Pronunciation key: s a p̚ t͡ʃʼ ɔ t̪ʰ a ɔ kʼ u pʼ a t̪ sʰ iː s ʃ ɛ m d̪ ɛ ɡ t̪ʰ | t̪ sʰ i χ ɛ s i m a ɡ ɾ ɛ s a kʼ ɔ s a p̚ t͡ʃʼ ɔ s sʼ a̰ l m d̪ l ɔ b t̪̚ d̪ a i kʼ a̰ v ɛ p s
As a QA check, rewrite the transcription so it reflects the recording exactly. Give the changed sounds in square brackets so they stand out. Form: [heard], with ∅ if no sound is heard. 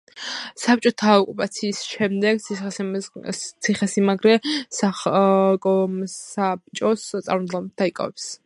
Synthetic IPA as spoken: s a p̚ t͡ʃʼ ɔ t̪ʰ a ɔ kʼ u pʼ a t̪ sʰ iː s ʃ ɛ m d̪ ɛ ɡ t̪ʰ | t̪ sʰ i χ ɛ s i m a ɡ ɾ ɛ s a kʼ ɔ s a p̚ t͡ʃʼ ɔ s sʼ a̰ [ɾ] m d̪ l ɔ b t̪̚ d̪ a i kʼ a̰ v ɛ p s